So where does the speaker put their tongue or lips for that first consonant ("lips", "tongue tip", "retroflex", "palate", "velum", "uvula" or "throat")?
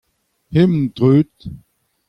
throat